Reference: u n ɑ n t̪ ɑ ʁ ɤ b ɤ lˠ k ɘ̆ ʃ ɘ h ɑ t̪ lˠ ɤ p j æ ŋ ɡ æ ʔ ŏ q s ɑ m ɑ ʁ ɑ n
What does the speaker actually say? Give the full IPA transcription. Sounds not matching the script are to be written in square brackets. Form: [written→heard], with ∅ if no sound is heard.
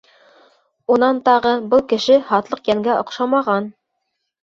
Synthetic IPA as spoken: u n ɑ n t̪ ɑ ʁ ɤ b ɤ lˠ k ɘ̆ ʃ ɘ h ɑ t̪ lˠ ɤ [p→q] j æ ŋ ɡ æ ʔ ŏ q [s→ʃ] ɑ m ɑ ʁ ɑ n